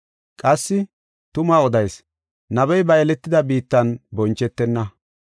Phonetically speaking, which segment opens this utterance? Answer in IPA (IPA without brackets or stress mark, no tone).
kʼ